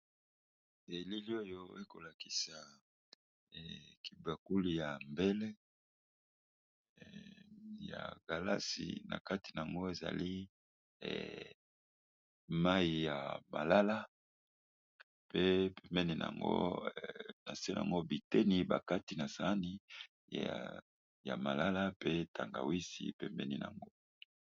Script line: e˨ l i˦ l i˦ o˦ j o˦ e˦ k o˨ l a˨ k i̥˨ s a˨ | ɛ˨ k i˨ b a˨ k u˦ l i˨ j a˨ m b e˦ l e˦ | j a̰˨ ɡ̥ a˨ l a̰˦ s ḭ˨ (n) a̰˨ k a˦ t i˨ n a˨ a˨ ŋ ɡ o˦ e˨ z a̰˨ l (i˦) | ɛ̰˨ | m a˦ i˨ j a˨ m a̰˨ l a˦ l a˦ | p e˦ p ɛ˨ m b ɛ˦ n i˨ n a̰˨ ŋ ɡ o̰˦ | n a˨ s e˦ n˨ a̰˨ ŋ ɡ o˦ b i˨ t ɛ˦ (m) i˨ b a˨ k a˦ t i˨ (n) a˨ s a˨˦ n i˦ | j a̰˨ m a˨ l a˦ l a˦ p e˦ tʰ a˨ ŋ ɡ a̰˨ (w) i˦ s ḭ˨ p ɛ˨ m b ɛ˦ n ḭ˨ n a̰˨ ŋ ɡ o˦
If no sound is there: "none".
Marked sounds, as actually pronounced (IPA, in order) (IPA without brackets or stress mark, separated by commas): n, i˦, n, n, w